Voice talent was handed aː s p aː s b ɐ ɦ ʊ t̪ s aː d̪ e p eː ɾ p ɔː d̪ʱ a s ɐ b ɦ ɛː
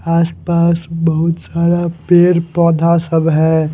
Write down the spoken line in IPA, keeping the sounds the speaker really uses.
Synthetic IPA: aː s p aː s b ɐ ɦ ʊ t̪ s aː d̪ a p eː ɾ p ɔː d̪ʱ a s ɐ b ɦ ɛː